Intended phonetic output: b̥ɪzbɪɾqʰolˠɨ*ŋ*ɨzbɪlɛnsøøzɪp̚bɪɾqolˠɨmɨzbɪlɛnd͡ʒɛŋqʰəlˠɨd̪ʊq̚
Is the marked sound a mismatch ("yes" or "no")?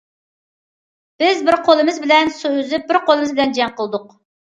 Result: yes